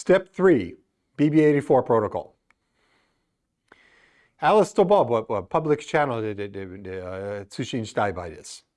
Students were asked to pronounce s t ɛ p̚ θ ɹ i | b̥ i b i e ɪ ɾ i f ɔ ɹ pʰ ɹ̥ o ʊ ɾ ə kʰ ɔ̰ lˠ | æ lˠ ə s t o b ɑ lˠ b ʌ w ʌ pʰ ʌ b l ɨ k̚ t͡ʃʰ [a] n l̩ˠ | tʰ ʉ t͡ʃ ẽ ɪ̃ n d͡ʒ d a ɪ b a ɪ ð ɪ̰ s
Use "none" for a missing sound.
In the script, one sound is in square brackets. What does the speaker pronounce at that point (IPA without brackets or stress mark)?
æ